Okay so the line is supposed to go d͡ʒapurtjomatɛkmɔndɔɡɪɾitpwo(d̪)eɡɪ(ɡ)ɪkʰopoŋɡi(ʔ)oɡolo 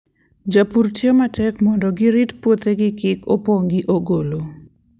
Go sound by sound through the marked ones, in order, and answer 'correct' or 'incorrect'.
incorrect: t̪, incorrect: k, correct

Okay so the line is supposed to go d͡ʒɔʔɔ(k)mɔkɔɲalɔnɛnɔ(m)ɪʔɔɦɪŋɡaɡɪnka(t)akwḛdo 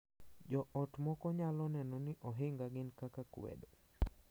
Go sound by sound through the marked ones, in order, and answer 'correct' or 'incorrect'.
incorrect: t, incorrect: n, incorrect: k

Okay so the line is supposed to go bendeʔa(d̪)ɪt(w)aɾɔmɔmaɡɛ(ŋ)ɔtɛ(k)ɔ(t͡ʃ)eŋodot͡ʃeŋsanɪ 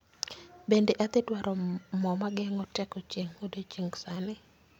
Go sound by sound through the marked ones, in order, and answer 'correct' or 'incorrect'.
incorrect: t̪, correct, correct, correct, correct

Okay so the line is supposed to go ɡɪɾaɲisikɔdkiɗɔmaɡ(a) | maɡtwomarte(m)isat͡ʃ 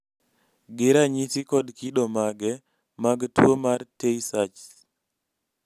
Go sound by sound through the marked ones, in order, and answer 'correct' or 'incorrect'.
incorrect: ɛ, incorrect: none

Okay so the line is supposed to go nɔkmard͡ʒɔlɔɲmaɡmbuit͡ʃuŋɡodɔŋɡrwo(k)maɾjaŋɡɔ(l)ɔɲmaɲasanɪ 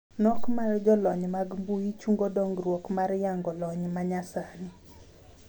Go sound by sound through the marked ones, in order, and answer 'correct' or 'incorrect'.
correct, correct

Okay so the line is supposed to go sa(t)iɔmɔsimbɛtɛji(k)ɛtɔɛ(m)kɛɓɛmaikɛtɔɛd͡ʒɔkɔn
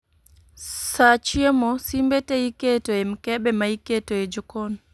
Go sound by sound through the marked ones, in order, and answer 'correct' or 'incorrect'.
incorrect: t͡ʃ, correct, correct

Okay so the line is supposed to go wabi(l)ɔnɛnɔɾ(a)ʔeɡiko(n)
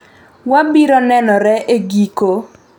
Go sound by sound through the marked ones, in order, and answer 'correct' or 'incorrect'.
incorrect: ɾ, incorrect: ɛ, incorrect: none

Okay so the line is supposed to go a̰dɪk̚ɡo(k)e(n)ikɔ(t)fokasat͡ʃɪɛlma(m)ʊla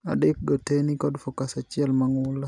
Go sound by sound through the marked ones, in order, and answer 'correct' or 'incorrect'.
incorrect: t, correct, incorrect: d, incorrect: ŋ

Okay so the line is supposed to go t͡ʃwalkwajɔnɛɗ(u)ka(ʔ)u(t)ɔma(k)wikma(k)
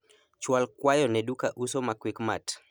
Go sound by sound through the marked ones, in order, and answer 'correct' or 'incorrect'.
correct, correct, incorrect: s, correct, incorrect: t

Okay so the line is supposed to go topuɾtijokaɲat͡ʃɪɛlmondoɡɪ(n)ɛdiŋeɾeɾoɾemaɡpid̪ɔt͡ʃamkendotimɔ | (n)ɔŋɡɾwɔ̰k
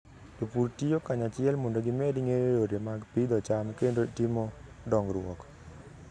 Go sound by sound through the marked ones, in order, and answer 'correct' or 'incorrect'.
incorrect: m, incorrect: d

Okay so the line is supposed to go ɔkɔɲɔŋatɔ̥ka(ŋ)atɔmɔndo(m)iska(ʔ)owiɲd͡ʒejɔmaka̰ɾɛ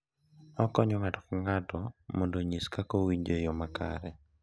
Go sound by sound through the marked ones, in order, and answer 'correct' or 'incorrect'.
correct, incorrect: ɲ, incorrect: k

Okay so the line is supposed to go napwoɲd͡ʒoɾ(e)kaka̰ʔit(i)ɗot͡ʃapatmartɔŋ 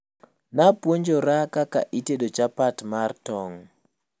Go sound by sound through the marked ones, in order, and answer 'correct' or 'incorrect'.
incorrect: a, incorrect: e

